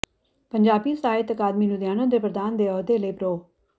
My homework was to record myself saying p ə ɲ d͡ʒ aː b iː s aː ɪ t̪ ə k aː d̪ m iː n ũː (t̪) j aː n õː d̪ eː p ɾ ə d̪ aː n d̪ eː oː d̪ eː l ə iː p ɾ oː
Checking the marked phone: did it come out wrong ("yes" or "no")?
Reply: yes